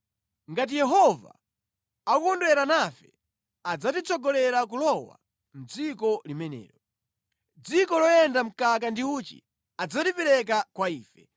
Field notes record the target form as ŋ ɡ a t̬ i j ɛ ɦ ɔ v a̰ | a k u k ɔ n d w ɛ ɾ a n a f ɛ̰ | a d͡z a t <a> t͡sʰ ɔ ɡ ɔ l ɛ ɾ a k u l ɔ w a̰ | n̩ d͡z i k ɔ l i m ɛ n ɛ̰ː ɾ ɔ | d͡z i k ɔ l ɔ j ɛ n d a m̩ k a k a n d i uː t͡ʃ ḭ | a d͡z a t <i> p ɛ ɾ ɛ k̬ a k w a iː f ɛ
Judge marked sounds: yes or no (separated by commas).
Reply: no, yes